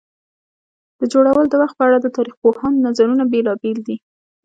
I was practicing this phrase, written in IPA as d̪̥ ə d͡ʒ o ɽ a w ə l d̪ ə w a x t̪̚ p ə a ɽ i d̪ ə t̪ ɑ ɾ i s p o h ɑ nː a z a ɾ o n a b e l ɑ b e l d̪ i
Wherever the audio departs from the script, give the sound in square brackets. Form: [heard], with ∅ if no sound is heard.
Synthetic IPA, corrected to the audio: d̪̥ ə d͡ʒ o ɽ a w ə l d̪ ə w a x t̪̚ p ə a ɽ [a] d̪ ə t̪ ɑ ɾ i [x] p o h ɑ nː a z a ɾ [u] n a b e l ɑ b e l d̪ i